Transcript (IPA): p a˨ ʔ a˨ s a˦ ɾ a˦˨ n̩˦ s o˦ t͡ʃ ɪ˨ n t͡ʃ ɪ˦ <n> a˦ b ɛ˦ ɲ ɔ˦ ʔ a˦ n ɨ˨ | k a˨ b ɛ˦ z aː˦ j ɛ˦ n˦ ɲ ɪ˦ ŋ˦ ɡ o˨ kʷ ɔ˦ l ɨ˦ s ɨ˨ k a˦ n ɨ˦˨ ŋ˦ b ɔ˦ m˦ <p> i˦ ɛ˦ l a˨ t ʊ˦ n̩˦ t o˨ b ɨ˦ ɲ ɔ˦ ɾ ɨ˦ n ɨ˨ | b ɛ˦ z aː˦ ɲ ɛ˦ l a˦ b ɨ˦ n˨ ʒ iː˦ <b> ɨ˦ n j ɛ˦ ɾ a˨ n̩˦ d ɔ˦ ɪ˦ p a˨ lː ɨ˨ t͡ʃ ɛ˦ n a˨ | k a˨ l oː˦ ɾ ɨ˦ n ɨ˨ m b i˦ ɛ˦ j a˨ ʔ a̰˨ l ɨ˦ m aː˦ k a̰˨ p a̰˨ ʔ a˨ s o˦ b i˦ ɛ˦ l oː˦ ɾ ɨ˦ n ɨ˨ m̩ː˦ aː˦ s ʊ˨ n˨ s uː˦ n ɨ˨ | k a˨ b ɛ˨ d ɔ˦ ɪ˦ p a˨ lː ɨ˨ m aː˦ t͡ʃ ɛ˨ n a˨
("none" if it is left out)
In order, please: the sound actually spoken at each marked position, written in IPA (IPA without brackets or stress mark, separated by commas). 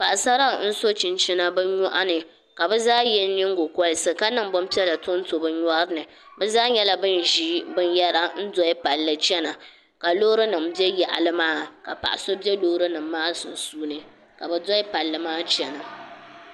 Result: n, p, b